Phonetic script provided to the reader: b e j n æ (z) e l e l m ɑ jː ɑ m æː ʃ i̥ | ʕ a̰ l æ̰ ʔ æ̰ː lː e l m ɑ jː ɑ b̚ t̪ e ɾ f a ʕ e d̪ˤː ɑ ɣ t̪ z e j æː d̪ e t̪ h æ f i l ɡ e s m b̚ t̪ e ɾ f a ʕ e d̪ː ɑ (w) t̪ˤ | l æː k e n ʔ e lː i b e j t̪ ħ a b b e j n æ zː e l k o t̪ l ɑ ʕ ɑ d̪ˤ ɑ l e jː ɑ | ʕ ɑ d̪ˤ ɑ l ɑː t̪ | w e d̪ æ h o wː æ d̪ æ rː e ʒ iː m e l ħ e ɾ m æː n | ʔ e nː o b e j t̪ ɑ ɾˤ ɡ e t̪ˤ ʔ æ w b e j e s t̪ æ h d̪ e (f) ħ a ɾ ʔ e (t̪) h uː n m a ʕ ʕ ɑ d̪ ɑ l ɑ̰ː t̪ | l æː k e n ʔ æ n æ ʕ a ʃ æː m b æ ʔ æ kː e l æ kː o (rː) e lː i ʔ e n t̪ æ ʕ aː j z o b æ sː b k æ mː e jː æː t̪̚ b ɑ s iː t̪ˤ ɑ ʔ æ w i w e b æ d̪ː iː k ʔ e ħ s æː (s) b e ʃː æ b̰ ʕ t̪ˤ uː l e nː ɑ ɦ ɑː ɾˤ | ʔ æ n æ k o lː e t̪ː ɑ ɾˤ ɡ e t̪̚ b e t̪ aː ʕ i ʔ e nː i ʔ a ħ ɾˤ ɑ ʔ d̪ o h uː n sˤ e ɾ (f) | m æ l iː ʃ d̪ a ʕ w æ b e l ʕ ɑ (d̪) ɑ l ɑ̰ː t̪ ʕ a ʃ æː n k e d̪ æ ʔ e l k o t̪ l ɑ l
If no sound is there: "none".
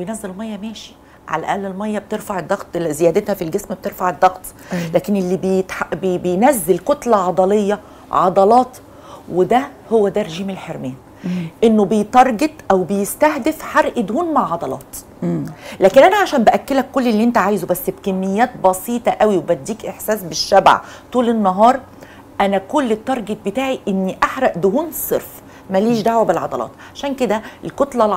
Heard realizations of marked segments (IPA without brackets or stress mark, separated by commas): zː, ɣ, f, d̪, lː, s, f, d̪